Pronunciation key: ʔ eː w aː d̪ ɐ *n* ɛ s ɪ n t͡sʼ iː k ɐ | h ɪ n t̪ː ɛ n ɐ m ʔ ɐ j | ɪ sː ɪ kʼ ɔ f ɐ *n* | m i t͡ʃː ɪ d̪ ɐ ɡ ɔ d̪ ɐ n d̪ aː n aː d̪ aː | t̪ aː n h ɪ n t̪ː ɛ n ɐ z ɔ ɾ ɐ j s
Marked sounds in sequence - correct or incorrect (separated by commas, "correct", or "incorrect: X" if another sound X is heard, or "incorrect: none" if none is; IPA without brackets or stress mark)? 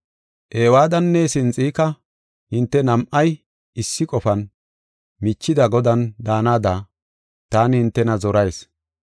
incorrect: nː, correct